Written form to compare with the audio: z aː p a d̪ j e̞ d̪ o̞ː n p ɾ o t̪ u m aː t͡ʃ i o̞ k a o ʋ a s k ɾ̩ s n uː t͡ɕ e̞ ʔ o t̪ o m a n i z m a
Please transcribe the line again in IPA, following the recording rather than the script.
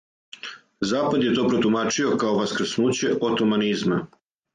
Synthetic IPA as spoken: z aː p a d̪ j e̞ t̪ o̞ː p ɾ o t̪ u m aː t͡ʃ i o̞ k a o ʋ a s k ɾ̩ s n uː t͡ɕ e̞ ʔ o t̪ o m a n i z m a

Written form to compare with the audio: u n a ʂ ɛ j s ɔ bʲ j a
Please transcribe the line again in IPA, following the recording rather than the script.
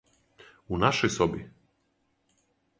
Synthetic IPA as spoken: u n a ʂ ɛ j s ɔ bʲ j ɛ

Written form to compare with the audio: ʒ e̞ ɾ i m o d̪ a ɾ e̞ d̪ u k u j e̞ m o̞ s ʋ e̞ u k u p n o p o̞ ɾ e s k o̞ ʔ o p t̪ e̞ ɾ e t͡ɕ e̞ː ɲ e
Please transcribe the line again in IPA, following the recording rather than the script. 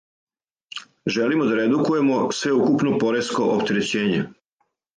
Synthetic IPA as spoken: ʒ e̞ l i m o d̪ a ɾ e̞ d̪ u k u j e̞ m o̞ s ʋ e̞ u k u p n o p o̞ ɾ e s k o̞ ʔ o p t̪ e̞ ɾ e t͡ɕ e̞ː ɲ e

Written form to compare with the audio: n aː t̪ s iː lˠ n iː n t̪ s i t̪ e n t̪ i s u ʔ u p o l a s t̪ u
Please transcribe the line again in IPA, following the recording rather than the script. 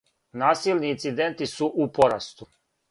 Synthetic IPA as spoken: n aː s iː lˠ n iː n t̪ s i d̪ e n t̪ i s u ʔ u p o ɾ a s t̪ u

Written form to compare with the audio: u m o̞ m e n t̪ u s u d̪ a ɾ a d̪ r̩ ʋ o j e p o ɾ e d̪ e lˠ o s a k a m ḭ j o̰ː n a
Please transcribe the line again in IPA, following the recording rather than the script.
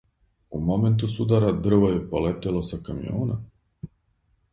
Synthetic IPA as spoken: u m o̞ m e n t̪ u s u d̪ a ɾ a d̪ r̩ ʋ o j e p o l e t̪ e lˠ o s a k a m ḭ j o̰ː n a

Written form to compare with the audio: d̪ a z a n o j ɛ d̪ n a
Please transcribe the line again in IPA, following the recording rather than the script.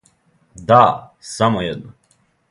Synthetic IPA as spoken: d̪ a s a m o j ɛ d̪ n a

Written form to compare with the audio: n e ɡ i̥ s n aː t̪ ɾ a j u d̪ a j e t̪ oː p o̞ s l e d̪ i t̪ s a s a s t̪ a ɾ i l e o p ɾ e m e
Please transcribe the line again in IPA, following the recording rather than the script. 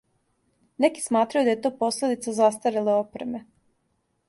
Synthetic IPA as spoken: n e k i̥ s m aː t̪ ɾ a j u d̪ a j e t̪ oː p o̞ s l e d̪ i t̪ s a z a s t̪ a ɾ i l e o p ɾ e m e

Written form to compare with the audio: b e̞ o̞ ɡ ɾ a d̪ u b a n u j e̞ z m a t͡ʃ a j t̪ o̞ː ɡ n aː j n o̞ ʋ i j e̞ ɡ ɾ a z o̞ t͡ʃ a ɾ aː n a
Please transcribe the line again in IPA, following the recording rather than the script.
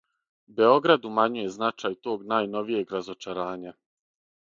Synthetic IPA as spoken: b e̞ o̞ ɡ ɾ a d̪ u m a ɲ u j e̞ z n a t͡ʃ a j t̪ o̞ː ɡ n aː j n o̞ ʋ i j e̞ ɡ ɾ a z o̞ t͡ʃ a ɾ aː ɲ a

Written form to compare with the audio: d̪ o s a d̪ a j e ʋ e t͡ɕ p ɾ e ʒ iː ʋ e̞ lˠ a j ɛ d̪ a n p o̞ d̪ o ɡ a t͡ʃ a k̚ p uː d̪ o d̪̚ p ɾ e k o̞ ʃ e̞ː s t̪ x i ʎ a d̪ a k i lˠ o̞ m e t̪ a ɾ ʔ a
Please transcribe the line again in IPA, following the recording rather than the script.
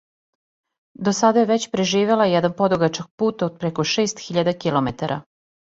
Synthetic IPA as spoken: d̪ o s a d̪ a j e ʋ e t͡ɕ p ɾ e ʒ iː ʋ e̞ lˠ a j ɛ d̪ a n p o̞ d̪ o ɡ a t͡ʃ a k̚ p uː t̪ o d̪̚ p ɾ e k o̞ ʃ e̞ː s t̪ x i ʎ a d̪ a k i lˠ o̞ m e t̪ a ɾ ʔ a

